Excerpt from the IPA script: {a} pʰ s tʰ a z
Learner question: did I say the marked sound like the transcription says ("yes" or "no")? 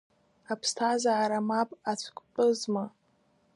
yes